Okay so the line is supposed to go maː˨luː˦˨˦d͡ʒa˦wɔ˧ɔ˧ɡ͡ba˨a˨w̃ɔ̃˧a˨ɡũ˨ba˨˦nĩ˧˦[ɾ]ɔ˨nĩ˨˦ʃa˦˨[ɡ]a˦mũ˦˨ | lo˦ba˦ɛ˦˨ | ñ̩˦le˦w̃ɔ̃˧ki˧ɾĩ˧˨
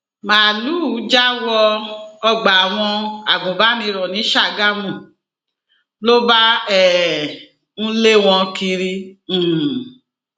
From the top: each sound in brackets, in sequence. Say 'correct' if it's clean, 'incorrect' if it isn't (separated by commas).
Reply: correct, correct